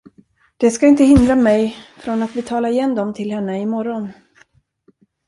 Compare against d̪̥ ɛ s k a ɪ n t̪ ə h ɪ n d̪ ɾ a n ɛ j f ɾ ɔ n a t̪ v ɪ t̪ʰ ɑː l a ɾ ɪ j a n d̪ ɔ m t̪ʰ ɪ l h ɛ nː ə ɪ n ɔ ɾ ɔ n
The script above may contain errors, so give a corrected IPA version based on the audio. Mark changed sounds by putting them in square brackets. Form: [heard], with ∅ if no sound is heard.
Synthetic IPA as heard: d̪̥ ɛ s k a ɪ n t̪ ə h ɪ n d̪ ɾ a [m] ɛ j f ɾ ɔ n a t̪ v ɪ t̪ʰ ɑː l a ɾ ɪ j [ɛ] n d̪ ɔ m t̪ʰ ɪ l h ɛ nː ə ɪ [m] ɔ ɾ ɔ n